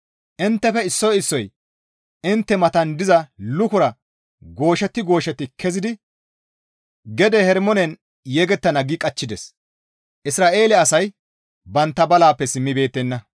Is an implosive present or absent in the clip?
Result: absent